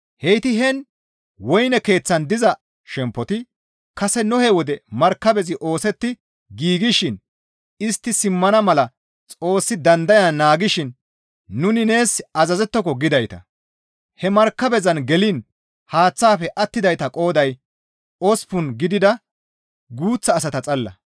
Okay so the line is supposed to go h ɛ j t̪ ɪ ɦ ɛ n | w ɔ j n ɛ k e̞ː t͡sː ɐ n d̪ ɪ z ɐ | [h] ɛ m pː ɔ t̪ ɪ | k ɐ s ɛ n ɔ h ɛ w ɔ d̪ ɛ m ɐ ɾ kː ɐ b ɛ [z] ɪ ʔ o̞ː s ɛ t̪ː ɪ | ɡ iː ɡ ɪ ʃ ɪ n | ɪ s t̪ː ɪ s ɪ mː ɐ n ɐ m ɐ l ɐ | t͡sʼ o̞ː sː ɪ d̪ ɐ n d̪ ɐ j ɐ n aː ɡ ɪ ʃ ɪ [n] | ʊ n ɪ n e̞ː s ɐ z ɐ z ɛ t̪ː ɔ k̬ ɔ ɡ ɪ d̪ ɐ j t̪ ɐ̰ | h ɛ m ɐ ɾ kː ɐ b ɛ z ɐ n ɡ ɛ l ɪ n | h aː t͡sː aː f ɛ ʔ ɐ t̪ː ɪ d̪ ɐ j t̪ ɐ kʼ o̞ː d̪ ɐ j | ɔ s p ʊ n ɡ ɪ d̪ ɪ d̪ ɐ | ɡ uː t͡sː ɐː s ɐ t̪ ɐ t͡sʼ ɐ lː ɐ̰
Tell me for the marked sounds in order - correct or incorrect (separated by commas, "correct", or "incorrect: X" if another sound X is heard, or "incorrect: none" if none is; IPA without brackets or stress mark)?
incorrect: ʃ, correct, incorrect: nː